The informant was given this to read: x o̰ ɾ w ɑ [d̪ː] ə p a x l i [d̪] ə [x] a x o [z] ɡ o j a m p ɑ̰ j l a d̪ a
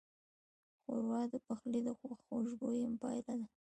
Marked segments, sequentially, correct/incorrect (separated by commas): incorrect, correct, correct, incorrect